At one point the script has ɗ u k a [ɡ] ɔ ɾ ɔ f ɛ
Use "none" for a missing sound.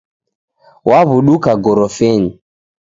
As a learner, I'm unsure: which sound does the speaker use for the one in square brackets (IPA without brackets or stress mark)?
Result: ɡ